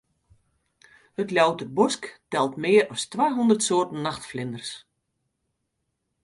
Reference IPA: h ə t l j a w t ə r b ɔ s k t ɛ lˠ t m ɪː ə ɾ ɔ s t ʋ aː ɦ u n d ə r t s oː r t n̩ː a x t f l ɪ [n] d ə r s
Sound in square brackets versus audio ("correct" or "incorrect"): correct